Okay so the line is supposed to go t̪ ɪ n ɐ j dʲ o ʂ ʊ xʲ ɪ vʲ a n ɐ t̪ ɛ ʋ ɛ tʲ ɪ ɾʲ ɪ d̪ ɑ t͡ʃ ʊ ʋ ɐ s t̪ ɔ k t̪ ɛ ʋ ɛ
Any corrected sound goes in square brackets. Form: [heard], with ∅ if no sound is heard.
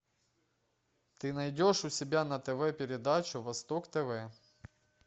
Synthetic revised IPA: t̪ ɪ n ɐ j dʲ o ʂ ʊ [sʲ] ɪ [bʲ] a n ɐ t̪ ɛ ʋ ɛ [pʲ] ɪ ɾʲ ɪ d̪ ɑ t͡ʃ ʊ ʋ ɐ s t̪ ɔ k t̪ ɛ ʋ ɛ